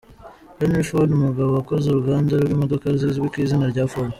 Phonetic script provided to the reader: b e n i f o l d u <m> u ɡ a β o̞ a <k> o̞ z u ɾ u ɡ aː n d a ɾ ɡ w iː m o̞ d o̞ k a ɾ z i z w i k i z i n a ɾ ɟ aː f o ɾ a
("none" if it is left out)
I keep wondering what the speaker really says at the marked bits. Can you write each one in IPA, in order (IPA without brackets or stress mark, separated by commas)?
m, k